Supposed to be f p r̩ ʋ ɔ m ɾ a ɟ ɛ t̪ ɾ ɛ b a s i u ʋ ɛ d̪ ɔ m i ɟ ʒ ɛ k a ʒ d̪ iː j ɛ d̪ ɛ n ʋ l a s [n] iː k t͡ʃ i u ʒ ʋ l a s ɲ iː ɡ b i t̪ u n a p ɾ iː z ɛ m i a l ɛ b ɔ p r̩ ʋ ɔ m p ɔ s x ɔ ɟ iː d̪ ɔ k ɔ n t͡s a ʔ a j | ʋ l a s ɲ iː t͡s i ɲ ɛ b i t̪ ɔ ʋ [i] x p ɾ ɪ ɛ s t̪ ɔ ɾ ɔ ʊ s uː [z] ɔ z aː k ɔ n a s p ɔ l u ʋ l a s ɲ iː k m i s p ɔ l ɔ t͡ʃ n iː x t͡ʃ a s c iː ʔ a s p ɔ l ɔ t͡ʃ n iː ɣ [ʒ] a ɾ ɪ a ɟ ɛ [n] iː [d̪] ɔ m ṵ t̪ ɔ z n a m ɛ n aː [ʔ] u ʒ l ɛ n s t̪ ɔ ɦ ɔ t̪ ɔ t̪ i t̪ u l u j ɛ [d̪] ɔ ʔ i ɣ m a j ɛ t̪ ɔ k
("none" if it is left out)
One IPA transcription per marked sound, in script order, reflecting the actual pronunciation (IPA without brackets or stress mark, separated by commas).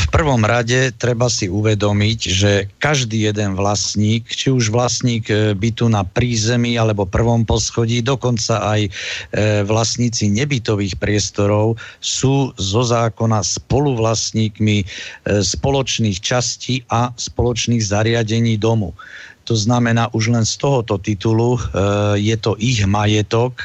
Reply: ɲ, iː, z, z, ɲ, d̪, ʔ, t̪